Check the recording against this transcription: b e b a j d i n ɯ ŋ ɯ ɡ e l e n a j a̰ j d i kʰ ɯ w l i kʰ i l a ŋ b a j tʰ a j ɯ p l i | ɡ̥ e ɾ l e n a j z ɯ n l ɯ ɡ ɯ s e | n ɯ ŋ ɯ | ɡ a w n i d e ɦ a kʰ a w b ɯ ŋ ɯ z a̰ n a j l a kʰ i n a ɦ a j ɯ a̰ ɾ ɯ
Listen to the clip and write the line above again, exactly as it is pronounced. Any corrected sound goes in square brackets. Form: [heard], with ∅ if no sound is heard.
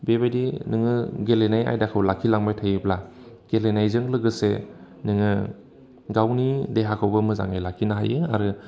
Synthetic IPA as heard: b e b a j d i n ɯ ŋ ɯ ɡ e l e n a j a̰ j d [a] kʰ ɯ w l [a] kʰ i l a ŋ b a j tʰ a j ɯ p l [a] | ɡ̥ e [∅] l e n a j z ɯ [ŋ] l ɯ ɡ ɯ s e | n ɯ ŋ ɯ | ɡ a w n i d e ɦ a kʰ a w b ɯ [m] ɯ z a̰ [ŋ] a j l a kʰ i n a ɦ a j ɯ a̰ ɾ ɯ

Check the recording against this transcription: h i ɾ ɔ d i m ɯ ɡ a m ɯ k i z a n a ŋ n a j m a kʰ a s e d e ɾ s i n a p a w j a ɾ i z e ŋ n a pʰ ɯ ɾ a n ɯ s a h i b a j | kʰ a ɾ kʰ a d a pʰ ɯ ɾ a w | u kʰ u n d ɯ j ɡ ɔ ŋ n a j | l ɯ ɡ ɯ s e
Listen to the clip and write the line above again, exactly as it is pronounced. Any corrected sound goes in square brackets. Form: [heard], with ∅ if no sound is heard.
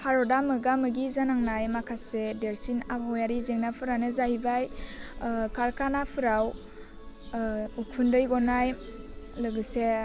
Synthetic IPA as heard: h [a] ɾ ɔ d [a] m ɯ ɡ a m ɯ [ɡ] i z a n a ŋ n a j m a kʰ a s e d e ɾ s i n a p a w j a ɾ i z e ŋ n a pʰ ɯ ɾ a n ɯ [z] a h i b a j | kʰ a ɾ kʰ a [n] a pʰ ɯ ɾ a w | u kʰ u n d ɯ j ɡ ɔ [∅] n a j | l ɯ ɡ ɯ s e

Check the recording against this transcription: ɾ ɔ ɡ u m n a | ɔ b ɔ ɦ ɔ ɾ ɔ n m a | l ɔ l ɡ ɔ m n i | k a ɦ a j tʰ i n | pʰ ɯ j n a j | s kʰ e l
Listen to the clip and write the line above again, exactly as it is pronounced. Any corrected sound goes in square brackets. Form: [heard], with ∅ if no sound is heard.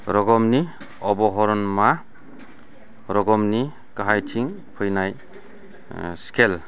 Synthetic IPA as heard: ɾ ɔ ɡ [ɔ] m n [i] | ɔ b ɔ ɦ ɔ ɾ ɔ n m a | [ɾ] ɔ [∅] ɡ ɔ m n i | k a ɦ a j tʰ i [ŋ] | pʰ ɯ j n a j | s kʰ e l

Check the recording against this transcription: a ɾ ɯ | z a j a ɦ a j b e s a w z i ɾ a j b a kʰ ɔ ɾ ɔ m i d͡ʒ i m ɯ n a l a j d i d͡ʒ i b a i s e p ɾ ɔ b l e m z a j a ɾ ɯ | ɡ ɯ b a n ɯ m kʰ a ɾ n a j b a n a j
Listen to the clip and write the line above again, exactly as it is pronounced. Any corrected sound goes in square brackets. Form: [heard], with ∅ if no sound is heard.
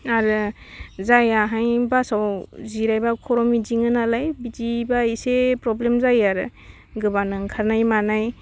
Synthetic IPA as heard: a ɾ ɯ | z a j a ɦ a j b [a] s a w z i ɾ a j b a kʰ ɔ ɾ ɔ m i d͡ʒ i [ŋ] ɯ n a l a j [b] i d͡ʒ i b a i s e p ɾ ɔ b l e m z a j a ɾ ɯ | ɡ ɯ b a n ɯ [ŋ] kʰ a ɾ n a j [m] a n a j

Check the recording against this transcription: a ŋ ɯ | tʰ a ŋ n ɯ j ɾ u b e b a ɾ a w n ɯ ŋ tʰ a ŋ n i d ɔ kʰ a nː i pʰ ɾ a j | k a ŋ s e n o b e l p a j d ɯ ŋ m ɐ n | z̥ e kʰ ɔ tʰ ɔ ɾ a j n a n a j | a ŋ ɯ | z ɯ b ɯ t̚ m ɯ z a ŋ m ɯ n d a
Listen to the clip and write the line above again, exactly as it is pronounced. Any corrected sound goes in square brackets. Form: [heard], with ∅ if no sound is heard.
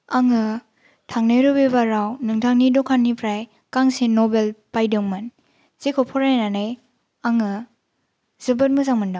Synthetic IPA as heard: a ŋ ɯ | tʰ a ŋ n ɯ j ɾ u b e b a ɾ a w n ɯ ŋ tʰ a ŋ n i d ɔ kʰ a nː i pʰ ɾ a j | k a ŋ s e n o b e l p a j d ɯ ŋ m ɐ n | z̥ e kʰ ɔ [pʰ] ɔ ɾ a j n a n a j | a ŋ ɯ | z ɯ b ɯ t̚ m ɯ z a ŋ m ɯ n d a

